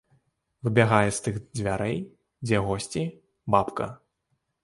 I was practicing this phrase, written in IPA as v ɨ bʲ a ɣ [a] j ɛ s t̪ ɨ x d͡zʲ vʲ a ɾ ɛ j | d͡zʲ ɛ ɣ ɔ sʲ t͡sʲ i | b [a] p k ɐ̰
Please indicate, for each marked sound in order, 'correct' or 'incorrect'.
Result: correct, correct

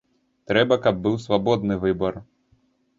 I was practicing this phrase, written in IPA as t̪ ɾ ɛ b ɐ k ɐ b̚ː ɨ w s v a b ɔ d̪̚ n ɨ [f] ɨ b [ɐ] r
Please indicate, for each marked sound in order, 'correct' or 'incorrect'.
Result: incorrect: v, correct

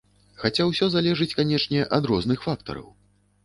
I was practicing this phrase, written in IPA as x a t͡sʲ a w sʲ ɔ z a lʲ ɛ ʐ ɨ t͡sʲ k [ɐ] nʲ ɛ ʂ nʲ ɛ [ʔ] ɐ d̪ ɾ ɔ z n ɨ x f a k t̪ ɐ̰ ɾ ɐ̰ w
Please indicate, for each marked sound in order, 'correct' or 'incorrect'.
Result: incorrect: a, correct

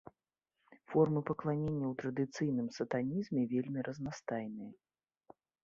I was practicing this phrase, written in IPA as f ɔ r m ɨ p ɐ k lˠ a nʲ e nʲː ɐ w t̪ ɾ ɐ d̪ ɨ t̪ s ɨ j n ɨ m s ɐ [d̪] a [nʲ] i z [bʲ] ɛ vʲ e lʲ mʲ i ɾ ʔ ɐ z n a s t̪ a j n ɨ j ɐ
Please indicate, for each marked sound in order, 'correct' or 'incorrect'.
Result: incorrect: t̪, correct, incorrect: mʲ

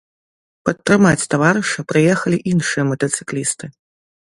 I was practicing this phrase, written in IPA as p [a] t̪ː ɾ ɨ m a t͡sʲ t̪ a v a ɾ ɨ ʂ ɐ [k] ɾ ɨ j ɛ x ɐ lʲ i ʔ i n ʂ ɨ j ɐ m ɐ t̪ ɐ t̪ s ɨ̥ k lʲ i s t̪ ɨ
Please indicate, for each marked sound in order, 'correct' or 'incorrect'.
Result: incorrect: ɐ, incorrect: p

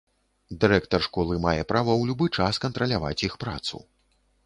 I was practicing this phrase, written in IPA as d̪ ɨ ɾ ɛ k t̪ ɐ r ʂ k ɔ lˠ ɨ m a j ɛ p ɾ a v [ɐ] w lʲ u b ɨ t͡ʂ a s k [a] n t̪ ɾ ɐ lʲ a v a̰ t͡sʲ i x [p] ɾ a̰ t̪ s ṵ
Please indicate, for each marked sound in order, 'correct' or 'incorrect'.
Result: correct, incorrect: ɐ, correct

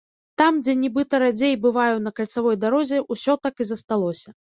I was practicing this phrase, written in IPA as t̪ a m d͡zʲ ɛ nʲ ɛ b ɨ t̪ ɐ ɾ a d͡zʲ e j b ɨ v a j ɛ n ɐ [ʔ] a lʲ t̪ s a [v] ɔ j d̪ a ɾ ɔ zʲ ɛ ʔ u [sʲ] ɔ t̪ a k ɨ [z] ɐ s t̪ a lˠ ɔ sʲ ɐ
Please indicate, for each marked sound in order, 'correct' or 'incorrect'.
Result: incorrect: k, correct, correct, correct

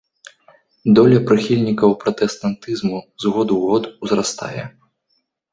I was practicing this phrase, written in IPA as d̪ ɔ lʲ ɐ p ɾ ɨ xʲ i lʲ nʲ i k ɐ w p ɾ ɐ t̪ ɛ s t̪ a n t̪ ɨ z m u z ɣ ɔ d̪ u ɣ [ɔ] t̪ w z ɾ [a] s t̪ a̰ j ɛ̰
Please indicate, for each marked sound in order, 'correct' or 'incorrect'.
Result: correct, correct

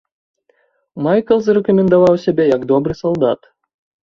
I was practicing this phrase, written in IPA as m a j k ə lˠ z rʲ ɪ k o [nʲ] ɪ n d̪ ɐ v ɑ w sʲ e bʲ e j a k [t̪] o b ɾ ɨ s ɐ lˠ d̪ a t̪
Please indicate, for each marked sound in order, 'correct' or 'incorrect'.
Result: incorrect: mʲ, incorrect: d̪

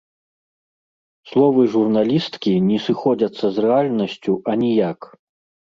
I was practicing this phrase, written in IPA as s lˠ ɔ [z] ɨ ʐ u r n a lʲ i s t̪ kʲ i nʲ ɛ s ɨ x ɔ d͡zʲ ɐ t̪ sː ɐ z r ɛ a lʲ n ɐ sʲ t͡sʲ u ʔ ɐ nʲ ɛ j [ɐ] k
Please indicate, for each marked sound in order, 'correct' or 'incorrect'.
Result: incorrect: v, incorrect: a

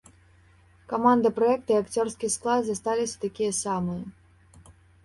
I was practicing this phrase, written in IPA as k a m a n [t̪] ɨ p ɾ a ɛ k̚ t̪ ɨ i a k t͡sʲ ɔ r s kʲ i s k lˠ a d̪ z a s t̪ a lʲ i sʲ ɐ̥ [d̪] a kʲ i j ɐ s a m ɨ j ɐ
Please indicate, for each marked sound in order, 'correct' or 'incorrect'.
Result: incorrect: d̪, incorrect: t̪

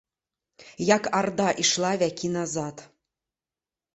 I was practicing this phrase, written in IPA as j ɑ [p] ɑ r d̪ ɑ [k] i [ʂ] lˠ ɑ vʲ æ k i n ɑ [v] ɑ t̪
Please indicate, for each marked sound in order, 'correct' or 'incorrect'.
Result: incorrect: k, incorrect: ʔ, incorrect: ʃ, incorrect: z

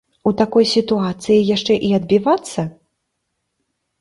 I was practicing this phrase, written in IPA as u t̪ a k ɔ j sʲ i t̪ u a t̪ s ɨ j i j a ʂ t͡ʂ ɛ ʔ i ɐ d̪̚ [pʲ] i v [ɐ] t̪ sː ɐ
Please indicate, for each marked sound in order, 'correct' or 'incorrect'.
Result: incorrect: bʲ, incorrect: a

